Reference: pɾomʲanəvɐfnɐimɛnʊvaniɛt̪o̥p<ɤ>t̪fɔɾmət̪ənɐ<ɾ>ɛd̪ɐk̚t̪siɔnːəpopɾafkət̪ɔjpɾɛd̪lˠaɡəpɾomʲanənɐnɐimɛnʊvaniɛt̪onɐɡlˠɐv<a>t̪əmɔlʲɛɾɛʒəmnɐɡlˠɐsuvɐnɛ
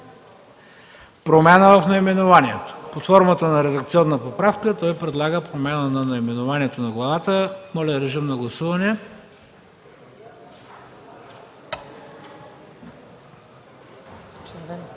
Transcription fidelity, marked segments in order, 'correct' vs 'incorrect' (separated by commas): incorrect, correct, correct